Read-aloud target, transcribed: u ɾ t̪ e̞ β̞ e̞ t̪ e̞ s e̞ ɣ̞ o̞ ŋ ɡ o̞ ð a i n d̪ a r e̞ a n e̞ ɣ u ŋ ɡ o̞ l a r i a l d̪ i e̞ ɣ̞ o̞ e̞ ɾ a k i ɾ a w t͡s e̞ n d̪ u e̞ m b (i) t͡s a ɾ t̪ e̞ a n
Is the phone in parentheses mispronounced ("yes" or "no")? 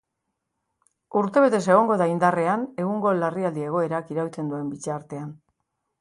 no